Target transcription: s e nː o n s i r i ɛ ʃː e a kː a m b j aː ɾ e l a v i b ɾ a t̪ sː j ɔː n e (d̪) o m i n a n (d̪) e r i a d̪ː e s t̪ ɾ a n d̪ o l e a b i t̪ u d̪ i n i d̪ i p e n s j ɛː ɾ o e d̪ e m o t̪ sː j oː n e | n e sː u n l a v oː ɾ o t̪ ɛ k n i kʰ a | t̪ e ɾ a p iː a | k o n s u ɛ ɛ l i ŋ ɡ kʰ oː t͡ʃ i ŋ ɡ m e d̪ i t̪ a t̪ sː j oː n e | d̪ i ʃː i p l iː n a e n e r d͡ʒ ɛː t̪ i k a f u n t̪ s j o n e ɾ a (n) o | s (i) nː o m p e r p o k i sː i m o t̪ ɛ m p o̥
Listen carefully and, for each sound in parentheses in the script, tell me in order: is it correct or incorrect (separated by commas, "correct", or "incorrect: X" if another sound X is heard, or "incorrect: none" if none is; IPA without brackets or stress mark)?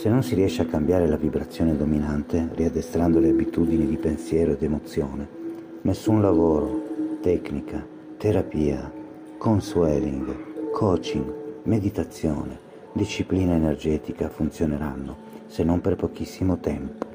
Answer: correct, incorrect: t̪, incorrect: nː, incorrect: e